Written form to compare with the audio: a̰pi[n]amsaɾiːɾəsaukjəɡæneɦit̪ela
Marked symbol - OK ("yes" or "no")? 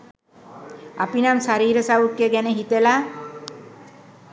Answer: yes